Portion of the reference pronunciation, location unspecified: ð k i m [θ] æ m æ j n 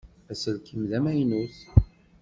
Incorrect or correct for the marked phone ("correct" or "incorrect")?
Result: incorrect